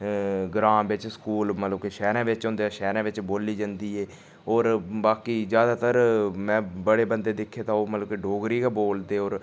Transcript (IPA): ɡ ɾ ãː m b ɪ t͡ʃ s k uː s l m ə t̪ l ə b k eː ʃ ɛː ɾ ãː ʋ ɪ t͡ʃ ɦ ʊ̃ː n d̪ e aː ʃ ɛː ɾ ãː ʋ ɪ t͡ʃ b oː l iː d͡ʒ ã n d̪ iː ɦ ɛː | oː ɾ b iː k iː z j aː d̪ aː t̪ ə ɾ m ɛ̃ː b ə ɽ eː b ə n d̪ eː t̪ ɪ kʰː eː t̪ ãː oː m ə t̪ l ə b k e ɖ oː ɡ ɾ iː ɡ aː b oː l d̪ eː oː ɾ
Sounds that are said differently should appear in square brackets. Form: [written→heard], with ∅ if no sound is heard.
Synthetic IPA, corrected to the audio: ɡ ɾ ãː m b ɪ t͡ʃ s k uː [s→∅] l m ə t̪ l ə b k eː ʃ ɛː ɾ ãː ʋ ɪ t͡ʃ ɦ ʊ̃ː n d̪ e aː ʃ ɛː ɾ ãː ʋ ɪ t͡ʃ b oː l iː d͡ʒ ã n d̪ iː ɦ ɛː | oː ɾ b [iː→aː] k iː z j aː d̪ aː t̪ ə ɾ m ɛ̃ː b ə ɽ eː b ə n d̪ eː [t̪→d̪] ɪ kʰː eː t̪ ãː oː m ə t̪ l ə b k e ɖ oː ɡ ɾ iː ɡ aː b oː l d̪ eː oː ɾ